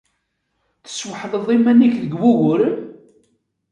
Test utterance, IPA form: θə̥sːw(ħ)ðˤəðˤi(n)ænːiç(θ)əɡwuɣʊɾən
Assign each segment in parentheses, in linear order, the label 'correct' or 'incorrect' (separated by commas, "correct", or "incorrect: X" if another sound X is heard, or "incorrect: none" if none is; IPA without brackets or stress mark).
correct, incorrect: m, incorrect: ð